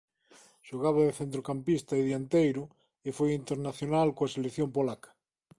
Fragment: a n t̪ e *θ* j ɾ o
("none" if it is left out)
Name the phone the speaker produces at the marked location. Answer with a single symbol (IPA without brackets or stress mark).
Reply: none